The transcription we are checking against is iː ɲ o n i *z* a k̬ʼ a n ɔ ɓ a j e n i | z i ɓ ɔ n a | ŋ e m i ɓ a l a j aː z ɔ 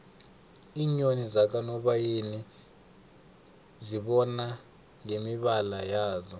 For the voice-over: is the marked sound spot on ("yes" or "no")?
yes